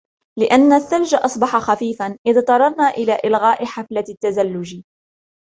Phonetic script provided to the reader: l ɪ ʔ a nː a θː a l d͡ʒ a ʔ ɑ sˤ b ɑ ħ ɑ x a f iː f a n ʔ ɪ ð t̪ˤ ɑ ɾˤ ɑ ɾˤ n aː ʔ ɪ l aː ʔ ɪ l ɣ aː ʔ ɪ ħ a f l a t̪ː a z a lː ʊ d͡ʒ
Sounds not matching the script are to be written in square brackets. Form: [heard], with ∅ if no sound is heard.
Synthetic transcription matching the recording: l ɪ ʔ a nː a θː a l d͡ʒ a ʔ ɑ sˤ b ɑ ħ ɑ x a f iː f a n ʔ ɪ ð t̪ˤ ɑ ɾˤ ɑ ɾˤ n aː ʔ ɪ l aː ʔ ɪ l ɣ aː ʔ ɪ ħ a f l a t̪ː a z a lː ʊ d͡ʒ